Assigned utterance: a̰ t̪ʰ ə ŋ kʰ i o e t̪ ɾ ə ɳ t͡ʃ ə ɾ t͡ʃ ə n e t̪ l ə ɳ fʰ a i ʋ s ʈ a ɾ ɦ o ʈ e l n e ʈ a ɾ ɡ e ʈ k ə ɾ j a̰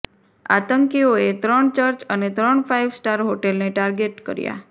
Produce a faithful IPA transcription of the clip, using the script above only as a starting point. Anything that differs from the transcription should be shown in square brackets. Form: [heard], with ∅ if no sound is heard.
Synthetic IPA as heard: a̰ [t̪] ə ŋ [k] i o e t̪ ɾ ə ɳ t͡ʃ ə ɾ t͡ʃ ə n e t̪ [ɾ] ə ɳ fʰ a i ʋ s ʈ a ɾ ɦ o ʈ e l n e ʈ a ɾ ɡ e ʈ k ə ɾ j a̰

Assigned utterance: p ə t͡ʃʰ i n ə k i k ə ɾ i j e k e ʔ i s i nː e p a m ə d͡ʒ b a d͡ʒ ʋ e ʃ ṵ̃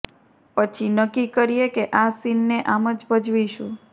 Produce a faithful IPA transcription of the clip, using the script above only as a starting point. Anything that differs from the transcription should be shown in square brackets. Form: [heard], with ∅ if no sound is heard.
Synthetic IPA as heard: p ə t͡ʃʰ i n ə k i k ə ɾ i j e k e ʔ [a] s i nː e [ʔ] a m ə d͡ʒ b [ə] d͡ʒ ʋ [i] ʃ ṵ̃

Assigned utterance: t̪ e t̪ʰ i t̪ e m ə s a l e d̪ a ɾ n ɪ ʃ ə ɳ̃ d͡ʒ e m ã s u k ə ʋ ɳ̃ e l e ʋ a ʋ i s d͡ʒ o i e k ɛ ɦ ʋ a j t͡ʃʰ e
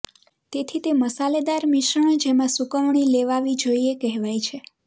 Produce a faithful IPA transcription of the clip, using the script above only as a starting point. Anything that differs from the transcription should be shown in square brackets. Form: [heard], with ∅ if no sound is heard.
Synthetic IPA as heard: t̪ e t̪ʰ i t̪ e m ə s a l e d̪ a ɾ [m] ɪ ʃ ə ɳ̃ d͡ʒ e m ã s u k ə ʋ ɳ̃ [i] l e ʋ a ʋ i [∅] d͡ʒ o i e k ɛ ɦ ʋ a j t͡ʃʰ e

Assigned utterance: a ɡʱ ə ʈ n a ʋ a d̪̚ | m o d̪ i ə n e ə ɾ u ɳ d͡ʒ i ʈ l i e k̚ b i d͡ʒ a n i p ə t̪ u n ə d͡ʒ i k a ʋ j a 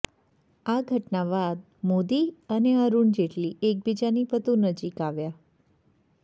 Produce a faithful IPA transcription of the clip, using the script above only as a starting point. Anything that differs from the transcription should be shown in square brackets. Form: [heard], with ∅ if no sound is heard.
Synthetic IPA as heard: a ɡʱ ə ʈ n a ʋ a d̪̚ | m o d̪ i ə n e ə ɾ u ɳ d͡ʒ [e] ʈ l i e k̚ b i d͡ʒ a n i p ə t̪ u n ə d͡ʒ i k a ʋ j a

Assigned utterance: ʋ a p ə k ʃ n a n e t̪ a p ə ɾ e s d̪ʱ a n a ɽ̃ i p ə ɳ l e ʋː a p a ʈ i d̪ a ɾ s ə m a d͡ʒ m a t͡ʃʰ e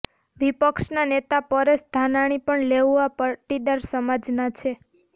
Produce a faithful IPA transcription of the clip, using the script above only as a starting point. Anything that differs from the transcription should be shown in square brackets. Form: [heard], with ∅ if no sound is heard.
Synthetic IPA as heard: ʋ [i] p ə k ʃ n a n e t̪ a p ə ɾ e s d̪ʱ a n a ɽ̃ i p ə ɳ l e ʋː a p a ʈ i d̪ a ɾ s ə m a d͡ʒ [n] a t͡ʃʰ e

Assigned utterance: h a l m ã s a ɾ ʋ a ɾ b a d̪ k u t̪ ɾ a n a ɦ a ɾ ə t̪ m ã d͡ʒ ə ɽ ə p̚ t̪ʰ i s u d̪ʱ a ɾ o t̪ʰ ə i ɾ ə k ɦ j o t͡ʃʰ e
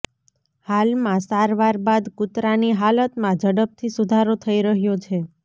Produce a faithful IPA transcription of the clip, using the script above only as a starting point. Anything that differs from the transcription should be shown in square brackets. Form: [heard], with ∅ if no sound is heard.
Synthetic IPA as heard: h a l m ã s a ɾ ʋ a ɾ b a d̪ k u t̪ ɾ a n [i] ɦ a [l] ə t̪ m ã d͡ʒ ə ɽ ə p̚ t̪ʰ i s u d̪ʱ a ɾ o t̪ʰ ə i ɾ ə [∅] ɦ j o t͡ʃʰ e

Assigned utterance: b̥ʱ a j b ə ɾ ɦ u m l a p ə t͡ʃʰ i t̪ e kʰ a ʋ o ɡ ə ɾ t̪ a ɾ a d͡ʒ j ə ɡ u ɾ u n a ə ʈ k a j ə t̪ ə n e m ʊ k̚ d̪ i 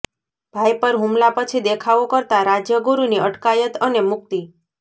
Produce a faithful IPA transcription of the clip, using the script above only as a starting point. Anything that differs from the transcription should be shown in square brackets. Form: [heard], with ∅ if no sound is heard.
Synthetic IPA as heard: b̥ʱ a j [p] ə ɾ ɦ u m l a p ə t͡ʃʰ i [d̪] e kʰ a ʋ o [k] ə ɾ t̪ a ɾ a d͡ʒ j ə ɡ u ɾ u n [i] ə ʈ k a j ə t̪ ə n e m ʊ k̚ [t̪] i

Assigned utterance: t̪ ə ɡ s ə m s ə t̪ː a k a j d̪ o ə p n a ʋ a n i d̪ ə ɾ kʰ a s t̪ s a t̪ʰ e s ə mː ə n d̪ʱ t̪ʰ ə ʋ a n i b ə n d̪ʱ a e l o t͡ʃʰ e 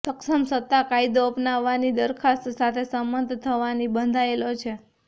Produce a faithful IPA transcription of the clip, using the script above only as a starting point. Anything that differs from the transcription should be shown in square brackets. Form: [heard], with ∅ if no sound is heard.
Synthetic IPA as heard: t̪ ə [k] s ə m s ə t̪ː a k a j d̪ o ə p n a [ʋː] a n i d̪ ə ɾ kʰ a s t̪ s a t̪ʰ e s ə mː ə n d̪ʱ t̪ʰ ə ʋ a n i b ə n d̪ʱ a e l o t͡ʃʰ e

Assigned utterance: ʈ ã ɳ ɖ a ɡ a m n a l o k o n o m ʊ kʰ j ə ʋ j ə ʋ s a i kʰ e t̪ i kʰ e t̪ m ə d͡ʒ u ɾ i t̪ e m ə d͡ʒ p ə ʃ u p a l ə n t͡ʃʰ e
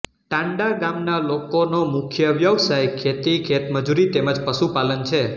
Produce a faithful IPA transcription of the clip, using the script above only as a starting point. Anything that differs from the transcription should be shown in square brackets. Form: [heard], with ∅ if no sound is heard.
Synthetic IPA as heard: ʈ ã ɳ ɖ a ɡ a m n a l o k o n o m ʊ kʰ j ə ʋ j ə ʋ s a [j] kʰ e t̪ i kʰ e t̪ m ə d͡ʒ u ɾ i t̪ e m ə d͡ʒ p ə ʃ u p a l ə n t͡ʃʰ e

